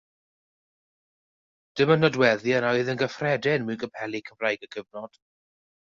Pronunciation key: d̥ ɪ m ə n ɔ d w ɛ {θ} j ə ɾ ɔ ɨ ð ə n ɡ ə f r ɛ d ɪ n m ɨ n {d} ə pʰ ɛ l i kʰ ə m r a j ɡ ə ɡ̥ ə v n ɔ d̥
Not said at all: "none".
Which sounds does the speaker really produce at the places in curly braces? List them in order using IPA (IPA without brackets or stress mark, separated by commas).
ð, ɡ